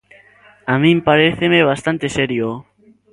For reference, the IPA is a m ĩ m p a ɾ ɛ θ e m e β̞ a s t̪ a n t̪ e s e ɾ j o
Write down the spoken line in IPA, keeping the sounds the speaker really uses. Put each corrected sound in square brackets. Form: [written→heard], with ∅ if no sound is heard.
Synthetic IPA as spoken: a m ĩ m p a ɾ [ɛ→e] θ e m e β̞ a s t̪ a n t̪ e s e ɾ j o